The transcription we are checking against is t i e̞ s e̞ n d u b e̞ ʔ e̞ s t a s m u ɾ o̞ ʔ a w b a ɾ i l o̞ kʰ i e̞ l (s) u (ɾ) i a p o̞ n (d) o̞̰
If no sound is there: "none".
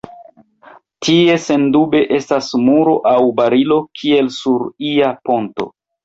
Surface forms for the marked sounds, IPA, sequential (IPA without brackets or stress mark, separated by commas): s, ɾ, t